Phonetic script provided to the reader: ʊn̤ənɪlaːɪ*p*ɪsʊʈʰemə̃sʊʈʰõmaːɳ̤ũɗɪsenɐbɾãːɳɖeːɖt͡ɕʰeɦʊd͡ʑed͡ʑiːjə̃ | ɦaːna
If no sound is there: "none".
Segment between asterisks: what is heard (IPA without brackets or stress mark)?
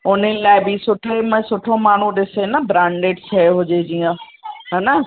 b